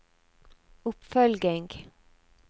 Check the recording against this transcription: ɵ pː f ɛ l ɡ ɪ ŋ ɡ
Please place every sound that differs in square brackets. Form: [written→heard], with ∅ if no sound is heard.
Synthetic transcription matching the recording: ɵ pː f [ɛ→œ] l ɡ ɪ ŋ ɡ